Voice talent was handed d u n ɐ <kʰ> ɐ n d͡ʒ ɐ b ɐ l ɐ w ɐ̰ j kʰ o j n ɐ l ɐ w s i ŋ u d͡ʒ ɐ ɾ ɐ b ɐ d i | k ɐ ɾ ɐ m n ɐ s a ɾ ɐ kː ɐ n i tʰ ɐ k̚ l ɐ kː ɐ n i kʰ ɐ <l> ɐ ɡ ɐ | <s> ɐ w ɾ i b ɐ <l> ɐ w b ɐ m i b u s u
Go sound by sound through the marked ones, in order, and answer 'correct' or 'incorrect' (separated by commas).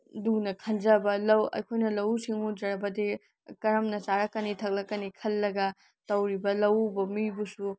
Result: correct, incorrect, incorrect, correct